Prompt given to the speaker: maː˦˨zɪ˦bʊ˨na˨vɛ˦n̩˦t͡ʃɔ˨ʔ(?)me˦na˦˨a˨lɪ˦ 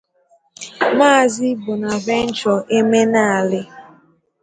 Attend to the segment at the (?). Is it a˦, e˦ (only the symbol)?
e˦